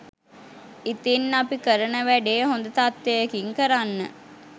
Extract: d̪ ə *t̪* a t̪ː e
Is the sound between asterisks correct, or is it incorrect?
correct